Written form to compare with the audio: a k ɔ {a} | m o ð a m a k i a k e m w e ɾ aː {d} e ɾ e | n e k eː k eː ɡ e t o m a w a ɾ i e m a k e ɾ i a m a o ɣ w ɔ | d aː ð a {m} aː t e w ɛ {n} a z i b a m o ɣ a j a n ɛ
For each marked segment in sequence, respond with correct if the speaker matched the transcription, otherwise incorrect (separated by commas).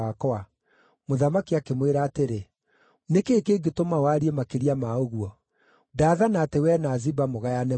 correct, incorrect, incorrect, correct